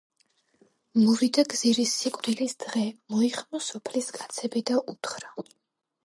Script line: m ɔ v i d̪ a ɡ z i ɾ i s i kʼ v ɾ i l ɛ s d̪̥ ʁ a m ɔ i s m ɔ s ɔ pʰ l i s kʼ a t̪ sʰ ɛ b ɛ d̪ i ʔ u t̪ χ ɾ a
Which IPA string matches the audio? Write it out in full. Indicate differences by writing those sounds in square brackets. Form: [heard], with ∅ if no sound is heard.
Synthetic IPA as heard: m ɔ v i d̪ a ɡ z i ɾ i s i kʼ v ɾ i l [i] s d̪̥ ʁ [ɛ] m ɔ i [χ] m ɔ s ɔ pʰ l i s kʼ a t̪ sʰ ɛ b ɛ d̪ [a] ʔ u t̪ χ ɾ a